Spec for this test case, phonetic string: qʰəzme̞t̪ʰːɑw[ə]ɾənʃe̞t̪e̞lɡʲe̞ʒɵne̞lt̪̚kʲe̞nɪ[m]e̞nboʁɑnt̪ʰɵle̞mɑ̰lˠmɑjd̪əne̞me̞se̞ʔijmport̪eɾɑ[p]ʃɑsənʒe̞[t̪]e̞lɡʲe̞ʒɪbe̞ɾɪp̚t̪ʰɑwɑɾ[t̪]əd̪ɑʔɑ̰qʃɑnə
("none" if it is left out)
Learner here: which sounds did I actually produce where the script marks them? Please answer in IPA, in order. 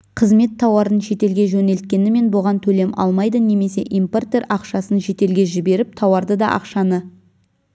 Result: ɑ, m, q, t̪, d̪

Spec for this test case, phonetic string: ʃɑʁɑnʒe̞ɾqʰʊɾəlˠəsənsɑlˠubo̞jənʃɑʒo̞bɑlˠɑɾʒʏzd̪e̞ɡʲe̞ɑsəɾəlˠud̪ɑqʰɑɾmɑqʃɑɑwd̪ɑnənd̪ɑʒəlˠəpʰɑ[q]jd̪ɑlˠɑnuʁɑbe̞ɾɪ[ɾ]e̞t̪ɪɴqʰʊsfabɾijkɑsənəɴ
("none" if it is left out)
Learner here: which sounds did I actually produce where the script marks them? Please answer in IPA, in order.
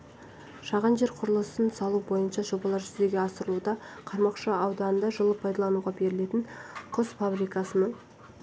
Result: none, l

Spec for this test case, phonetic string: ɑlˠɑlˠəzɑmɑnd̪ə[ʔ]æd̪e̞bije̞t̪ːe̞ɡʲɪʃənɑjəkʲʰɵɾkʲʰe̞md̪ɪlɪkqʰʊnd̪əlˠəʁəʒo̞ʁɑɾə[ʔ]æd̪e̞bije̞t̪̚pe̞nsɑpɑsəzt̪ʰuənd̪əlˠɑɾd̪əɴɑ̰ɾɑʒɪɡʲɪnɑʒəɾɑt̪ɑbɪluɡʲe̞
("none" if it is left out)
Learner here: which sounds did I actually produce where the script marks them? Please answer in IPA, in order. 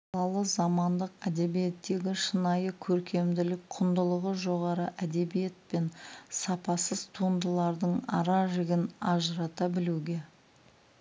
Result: q, ʔ

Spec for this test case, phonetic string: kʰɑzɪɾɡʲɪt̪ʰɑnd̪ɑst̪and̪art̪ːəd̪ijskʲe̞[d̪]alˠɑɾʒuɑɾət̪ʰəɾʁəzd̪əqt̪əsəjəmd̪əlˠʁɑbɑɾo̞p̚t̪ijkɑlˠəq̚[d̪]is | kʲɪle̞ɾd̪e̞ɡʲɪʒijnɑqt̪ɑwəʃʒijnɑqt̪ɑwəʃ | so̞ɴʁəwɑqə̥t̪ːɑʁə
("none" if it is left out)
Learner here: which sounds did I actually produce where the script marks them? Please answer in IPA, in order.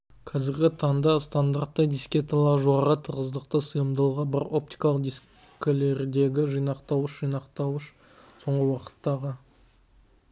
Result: t̪, d̪

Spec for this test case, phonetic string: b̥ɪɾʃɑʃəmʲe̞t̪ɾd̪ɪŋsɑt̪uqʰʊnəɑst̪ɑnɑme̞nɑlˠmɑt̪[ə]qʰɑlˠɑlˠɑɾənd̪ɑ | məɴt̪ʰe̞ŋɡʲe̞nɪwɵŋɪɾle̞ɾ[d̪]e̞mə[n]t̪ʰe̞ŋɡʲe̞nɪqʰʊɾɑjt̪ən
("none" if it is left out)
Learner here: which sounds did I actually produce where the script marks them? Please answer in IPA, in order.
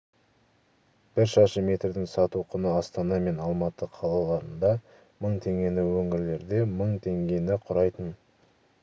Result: ə, d̪, ɴ

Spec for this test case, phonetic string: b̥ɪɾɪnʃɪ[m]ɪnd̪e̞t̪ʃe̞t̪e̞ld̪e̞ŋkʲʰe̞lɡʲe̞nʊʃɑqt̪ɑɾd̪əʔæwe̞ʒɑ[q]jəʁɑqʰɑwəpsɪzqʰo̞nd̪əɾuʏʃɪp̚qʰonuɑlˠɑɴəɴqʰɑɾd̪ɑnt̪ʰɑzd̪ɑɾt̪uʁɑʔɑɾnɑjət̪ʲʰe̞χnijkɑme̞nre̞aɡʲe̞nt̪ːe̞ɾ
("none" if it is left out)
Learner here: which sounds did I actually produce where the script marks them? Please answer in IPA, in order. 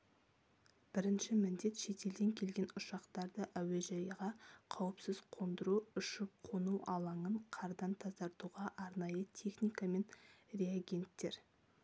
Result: m, none

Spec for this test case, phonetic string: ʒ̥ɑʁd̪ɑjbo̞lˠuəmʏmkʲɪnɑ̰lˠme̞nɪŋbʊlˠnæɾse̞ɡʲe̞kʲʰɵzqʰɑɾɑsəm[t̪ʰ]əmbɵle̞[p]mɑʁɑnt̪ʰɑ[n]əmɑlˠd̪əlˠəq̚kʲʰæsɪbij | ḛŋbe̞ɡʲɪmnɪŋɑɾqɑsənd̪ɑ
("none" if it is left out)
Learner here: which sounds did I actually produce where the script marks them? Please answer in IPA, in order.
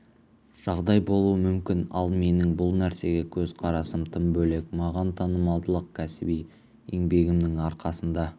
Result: t̪ʰ, k, n

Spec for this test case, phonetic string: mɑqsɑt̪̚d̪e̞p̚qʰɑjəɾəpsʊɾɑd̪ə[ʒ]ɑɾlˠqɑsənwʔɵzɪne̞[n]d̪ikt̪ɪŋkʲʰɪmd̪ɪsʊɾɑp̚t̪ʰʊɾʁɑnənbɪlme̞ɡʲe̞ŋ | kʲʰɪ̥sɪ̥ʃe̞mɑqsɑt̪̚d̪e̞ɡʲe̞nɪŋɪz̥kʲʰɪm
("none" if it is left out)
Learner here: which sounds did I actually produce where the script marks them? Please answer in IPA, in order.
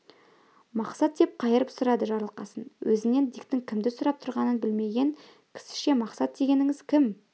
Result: ʒ, n

